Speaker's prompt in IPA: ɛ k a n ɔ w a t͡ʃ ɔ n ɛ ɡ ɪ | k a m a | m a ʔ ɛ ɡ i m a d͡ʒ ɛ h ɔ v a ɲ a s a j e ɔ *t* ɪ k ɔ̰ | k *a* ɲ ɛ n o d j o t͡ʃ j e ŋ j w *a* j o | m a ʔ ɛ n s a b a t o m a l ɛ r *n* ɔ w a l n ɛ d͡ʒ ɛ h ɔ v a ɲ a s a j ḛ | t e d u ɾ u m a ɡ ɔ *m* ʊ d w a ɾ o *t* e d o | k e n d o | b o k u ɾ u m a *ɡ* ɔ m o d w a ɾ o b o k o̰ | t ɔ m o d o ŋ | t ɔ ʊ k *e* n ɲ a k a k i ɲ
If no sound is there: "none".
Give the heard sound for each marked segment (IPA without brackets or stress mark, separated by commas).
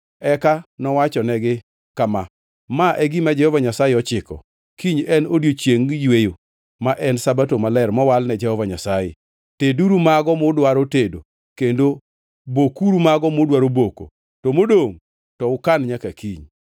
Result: t͡ʃ, i, e, m, m, t, ɡ, a